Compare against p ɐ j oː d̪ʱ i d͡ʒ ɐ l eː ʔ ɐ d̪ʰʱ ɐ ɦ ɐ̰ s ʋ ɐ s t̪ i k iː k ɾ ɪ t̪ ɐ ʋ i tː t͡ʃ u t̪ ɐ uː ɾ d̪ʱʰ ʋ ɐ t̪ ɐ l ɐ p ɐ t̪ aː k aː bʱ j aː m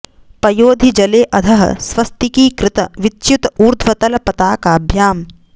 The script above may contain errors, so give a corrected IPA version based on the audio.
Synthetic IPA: p ɐ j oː d̪ʱ i d͡ʒ ɐ l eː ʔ ɐ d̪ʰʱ ɐ ɦ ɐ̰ s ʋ ɐ s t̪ i k iː k ɾ ɪ t̪ ɐ ʋ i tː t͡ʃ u t̪ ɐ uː ɾ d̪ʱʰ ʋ ɐ t̪ ɐ l ɐ p ɐ t̪ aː k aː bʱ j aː m